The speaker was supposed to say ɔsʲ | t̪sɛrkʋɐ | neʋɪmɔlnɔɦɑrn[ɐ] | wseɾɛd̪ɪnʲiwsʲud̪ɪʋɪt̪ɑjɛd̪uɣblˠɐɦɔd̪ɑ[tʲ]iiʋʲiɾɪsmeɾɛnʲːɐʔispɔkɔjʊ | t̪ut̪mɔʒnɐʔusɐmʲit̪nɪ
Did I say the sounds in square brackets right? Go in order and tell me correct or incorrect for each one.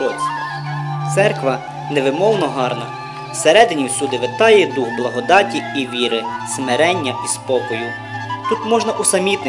correct, correct

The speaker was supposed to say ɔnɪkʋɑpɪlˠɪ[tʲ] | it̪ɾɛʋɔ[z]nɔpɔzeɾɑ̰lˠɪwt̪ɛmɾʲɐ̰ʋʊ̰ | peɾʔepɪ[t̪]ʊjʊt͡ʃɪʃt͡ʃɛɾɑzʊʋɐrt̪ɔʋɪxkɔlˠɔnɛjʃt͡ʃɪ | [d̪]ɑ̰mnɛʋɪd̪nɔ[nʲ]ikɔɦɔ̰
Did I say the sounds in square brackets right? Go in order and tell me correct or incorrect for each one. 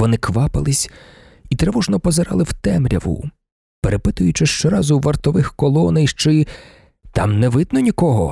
incorrect, incorrect, correct, incorrect, correct

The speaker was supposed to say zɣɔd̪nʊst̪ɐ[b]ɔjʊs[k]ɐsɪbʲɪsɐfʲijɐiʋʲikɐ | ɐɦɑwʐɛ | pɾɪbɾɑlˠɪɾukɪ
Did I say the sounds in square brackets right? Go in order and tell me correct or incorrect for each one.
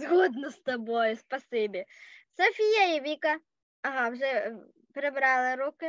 correct, incorrect

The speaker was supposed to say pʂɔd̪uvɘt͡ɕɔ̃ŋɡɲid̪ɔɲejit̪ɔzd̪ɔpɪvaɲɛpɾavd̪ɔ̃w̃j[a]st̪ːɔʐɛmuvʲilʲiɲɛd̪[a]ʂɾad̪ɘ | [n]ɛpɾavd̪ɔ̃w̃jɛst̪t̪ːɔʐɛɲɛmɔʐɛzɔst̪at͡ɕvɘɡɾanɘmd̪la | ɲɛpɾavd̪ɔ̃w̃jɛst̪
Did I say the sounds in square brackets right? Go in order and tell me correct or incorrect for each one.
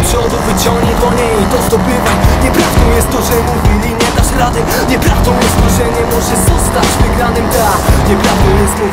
incorrect, correct, incorrect

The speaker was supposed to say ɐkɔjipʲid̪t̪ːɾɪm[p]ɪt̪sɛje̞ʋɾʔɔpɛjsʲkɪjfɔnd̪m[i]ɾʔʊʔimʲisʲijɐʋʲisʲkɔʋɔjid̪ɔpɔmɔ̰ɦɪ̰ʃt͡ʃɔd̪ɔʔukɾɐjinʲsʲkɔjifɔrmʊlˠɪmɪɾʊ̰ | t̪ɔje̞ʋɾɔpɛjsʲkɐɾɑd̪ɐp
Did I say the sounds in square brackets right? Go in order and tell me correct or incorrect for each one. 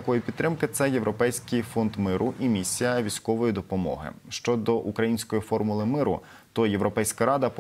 incorrect, incorrect

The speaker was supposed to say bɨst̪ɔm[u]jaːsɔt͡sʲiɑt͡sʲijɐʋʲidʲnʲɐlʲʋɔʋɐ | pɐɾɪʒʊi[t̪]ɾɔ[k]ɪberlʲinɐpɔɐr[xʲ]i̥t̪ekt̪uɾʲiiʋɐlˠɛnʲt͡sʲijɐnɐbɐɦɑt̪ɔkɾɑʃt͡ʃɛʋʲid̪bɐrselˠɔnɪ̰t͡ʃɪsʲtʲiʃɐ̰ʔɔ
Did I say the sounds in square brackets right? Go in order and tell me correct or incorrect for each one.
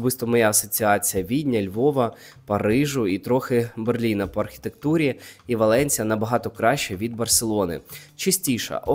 incorrect, correct, incorrect, correct

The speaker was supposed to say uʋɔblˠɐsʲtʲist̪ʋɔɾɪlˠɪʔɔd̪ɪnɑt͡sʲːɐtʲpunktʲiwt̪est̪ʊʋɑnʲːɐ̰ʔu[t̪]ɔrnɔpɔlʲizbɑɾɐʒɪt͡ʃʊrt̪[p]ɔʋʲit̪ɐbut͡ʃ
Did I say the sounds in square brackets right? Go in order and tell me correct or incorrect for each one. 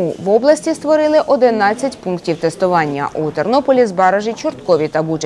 correct, incorrect

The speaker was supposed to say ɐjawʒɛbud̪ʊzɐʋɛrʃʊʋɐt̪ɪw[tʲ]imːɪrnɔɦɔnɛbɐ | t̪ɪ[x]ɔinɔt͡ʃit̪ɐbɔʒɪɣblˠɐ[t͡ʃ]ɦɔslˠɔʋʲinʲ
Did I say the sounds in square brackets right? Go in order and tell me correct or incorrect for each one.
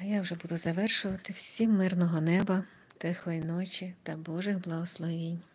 incorrect, correct, incorrect

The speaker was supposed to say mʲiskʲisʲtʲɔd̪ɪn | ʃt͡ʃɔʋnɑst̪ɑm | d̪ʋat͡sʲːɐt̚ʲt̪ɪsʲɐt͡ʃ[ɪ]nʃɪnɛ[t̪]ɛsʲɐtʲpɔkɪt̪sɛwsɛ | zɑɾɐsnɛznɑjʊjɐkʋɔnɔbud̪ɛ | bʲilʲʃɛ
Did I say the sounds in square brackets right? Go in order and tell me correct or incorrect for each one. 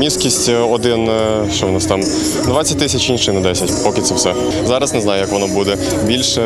incorrect, incorrect

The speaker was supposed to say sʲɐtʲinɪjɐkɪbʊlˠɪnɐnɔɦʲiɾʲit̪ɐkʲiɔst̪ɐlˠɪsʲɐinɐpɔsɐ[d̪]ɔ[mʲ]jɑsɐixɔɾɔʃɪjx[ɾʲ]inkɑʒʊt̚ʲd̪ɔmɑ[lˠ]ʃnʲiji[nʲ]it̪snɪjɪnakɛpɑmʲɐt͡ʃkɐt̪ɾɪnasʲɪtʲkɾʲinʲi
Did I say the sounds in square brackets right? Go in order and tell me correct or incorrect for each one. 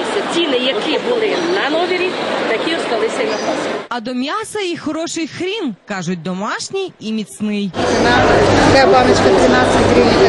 correct, correct, correct, incorrect, incorrect

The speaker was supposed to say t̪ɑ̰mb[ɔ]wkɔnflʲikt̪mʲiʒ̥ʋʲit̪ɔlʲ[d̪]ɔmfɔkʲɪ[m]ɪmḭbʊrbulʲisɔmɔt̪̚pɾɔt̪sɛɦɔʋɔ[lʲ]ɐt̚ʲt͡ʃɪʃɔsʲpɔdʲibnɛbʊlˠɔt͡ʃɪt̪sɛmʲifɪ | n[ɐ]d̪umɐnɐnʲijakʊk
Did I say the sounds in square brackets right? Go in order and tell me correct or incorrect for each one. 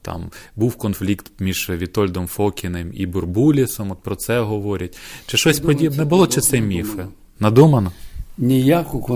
incorrect, correct, incorrect, incorrect, correct

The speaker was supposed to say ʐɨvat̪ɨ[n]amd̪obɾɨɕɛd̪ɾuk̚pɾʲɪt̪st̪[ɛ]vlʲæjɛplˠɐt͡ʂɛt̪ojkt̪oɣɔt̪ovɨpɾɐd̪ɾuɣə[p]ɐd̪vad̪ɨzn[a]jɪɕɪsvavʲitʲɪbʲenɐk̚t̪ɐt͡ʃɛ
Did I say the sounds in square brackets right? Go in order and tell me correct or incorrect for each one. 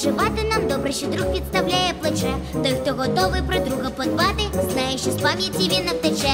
correct, incorrect, correct, correct

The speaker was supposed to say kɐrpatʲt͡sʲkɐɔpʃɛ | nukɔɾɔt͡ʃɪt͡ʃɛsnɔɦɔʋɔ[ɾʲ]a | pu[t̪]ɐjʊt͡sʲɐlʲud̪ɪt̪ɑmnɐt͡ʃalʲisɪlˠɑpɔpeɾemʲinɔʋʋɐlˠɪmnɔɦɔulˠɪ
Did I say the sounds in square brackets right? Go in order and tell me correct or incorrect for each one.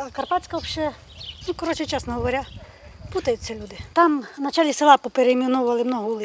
correct, correct

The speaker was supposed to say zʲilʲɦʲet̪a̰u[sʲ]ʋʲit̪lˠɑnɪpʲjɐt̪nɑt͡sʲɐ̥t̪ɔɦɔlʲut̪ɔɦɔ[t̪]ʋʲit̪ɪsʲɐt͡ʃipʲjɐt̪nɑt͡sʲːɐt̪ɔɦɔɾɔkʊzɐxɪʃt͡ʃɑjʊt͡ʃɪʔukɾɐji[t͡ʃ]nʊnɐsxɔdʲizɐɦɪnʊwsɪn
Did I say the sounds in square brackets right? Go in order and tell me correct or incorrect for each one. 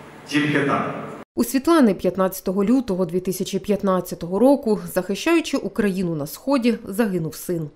correct, incorrect, incorrect

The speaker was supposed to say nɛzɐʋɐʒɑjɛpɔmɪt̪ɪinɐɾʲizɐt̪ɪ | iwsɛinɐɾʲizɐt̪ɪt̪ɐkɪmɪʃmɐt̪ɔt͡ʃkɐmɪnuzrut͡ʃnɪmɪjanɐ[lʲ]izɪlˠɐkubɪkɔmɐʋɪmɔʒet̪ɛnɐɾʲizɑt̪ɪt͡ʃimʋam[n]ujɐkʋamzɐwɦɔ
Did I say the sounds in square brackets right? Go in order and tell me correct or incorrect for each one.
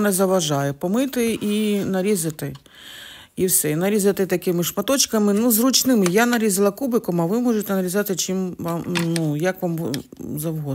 incorrect, correct

